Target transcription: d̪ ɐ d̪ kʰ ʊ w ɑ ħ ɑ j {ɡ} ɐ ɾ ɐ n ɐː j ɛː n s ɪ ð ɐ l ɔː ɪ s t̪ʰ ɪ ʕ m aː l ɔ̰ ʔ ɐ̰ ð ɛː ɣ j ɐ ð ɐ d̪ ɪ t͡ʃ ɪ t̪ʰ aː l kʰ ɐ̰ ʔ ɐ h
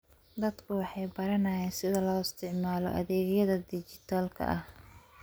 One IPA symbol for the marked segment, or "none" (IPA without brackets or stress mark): b